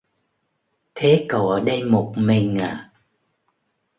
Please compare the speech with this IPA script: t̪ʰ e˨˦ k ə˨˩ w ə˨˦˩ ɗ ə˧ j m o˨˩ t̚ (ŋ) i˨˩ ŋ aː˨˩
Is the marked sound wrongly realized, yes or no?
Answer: yes